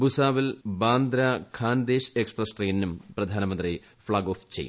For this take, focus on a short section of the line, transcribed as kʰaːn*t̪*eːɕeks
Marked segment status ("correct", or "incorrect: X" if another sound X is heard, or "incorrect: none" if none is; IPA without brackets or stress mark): incorrect: d̪